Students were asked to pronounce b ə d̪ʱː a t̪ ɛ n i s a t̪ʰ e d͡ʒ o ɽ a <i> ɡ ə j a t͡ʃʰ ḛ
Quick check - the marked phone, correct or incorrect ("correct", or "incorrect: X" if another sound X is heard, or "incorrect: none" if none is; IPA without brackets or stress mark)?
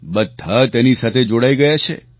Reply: correct